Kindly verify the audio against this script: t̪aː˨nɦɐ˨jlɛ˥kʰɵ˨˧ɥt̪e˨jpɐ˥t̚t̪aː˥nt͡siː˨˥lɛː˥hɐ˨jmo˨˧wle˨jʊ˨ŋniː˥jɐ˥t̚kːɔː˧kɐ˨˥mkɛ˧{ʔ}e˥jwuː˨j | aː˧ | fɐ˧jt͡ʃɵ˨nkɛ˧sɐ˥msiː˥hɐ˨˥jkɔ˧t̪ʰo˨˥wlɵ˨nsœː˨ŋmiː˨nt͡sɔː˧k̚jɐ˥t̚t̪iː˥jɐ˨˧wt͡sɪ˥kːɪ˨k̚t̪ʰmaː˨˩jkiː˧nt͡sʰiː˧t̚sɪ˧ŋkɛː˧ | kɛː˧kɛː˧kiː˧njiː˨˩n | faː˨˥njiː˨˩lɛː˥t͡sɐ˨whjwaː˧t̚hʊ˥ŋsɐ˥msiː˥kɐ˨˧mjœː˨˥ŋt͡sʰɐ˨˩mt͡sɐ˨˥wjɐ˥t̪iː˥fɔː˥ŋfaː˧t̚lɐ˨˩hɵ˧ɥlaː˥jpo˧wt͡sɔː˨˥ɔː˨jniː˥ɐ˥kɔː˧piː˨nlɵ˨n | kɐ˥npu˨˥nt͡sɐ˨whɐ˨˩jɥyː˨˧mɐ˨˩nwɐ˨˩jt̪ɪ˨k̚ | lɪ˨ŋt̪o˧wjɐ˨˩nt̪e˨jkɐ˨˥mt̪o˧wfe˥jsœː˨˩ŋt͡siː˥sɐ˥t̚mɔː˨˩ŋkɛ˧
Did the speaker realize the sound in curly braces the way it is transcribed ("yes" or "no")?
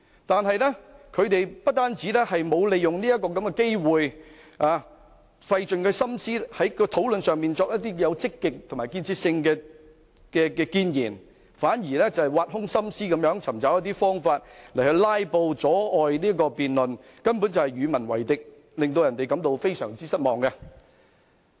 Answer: no